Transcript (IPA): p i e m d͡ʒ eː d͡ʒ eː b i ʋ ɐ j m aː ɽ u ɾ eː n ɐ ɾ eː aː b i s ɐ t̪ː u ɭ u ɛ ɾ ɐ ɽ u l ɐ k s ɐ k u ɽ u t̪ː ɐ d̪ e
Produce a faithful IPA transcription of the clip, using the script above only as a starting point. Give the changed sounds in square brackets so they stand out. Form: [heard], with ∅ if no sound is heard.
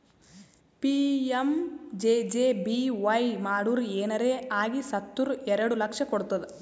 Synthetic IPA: p i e m d͡ʒ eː d͡ʒ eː b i ʋ ɐ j m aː ɽ u ɾ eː n ɐ ɾ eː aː [ɡ] i s ɐ t̪ː u [ɾ] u ɛ ɾ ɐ ɽ u l ɐ k [ʂ] ɐ k [o] ɽ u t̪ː ɐ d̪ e